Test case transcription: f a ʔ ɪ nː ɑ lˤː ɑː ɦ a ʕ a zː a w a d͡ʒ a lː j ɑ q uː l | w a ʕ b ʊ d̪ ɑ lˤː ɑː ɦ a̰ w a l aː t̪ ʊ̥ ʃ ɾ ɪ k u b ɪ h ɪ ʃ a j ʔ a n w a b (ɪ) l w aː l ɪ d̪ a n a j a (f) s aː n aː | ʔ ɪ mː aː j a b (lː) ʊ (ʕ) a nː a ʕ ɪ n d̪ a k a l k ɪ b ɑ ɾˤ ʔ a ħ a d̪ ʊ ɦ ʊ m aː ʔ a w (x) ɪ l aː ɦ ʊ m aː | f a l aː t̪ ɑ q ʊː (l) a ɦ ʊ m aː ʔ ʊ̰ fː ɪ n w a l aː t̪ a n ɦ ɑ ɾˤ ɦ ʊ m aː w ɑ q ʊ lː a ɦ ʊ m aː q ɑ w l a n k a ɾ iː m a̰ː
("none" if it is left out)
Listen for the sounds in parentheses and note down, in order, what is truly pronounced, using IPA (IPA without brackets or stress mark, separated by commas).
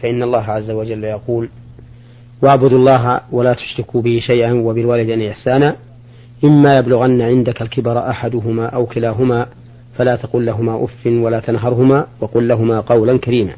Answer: ɪ, ħ, l, ɣ, k, lː